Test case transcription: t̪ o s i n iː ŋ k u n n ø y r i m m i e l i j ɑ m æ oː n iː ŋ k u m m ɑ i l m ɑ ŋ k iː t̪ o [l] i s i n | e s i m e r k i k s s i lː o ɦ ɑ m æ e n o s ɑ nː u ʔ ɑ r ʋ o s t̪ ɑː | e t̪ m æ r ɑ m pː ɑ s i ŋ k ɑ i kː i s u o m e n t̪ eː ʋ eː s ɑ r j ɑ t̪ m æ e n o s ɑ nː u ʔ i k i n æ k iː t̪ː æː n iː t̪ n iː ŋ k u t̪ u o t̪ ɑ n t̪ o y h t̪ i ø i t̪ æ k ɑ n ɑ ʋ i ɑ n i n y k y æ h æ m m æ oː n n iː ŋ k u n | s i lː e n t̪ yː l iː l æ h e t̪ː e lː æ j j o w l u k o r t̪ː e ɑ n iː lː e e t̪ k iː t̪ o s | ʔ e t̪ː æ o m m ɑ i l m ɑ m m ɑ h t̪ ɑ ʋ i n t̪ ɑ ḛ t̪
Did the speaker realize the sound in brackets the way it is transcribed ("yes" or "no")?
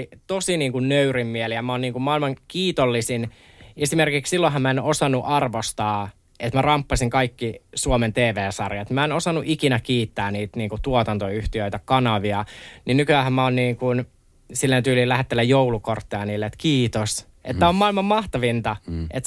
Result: no